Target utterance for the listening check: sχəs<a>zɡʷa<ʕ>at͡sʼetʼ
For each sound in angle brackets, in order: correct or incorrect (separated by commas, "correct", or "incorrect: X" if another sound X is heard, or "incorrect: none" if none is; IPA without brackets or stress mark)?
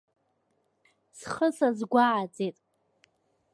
correct, correct